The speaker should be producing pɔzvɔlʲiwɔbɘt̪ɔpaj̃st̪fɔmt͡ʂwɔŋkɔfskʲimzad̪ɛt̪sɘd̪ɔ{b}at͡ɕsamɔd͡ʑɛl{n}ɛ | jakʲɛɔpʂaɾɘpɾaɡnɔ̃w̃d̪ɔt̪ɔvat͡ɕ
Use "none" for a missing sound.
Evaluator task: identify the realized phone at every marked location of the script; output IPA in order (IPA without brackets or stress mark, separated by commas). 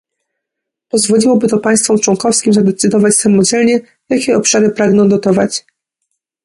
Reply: v, ɲ